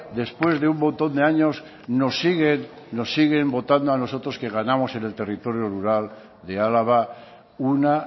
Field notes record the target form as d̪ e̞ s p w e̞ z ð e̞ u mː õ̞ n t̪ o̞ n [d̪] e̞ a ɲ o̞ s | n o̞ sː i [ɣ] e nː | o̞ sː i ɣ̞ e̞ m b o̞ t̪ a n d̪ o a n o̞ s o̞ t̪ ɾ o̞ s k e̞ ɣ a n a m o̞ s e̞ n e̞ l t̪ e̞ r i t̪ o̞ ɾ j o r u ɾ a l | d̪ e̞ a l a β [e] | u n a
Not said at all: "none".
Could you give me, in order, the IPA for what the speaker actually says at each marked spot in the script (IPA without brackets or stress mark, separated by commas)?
d̪, ɣ, a